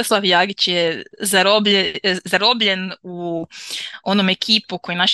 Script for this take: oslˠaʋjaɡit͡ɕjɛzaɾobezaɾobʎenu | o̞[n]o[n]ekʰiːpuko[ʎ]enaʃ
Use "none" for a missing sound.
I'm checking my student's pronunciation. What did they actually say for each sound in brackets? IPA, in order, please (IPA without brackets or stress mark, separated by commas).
n, m, j